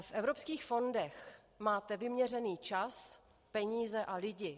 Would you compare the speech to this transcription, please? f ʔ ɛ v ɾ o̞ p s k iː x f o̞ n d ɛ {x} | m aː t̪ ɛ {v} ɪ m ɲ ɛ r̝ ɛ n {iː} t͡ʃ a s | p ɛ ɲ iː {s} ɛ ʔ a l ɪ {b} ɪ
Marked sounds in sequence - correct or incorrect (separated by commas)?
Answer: correct, correct, correct, incorrect, incorrect